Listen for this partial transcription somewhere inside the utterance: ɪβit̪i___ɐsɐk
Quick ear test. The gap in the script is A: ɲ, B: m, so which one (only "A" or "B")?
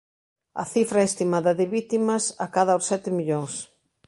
B